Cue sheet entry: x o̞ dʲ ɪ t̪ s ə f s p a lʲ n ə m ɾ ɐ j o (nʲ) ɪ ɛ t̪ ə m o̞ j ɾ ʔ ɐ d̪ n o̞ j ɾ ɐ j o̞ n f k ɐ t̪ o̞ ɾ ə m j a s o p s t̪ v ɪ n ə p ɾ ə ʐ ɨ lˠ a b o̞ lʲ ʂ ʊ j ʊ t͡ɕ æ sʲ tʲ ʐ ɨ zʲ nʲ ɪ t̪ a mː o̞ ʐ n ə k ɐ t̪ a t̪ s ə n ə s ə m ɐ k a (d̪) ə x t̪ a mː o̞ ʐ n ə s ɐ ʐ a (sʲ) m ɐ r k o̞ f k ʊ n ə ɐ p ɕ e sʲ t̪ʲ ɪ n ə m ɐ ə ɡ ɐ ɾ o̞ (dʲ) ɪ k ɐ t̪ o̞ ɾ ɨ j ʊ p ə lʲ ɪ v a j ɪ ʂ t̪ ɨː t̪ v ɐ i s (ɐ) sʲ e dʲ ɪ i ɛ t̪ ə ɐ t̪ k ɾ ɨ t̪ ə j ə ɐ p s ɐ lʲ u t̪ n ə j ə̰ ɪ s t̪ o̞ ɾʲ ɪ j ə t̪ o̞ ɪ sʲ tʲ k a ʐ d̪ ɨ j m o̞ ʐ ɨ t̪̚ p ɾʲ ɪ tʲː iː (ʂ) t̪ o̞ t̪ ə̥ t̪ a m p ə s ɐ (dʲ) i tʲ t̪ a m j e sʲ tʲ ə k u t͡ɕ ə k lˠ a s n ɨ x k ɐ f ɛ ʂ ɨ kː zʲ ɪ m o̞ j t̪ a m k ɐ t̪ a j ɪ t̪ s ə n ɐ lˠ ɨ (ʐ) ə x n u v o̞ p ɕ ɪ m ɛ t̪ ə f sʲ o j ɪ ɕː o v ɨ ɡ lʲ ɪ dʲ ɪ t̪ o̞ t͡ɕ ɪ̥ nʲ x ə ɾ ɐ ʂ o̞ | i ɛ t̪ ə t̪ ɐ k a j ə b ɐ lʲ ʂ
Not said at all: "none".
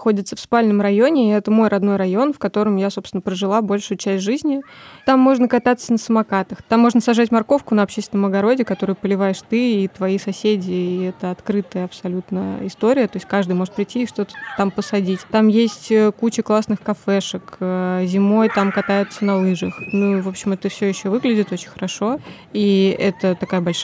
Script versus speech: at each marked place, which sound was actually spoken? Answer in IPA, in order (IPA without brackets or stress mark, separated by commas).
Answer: nʲ, t̪, tʲ, dʲ, ɐ, ʂ, dʲ, ʐ